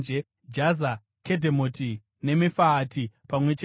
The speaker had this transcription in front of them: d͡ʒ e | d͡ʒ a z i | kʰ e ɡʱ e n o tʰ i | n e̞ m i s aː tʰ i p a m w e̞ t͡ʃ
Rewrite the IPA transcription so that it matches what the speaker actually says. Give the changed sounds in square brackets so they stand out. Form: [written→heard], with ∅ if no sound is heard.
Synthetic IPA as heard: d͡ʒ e | d͡ʒ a z [i→a] | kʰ e [ɡʱ→dʱ] e [n→m] o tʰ i | n e̞ m i [s→f] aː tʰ i p a m w e̞ t͡ʃ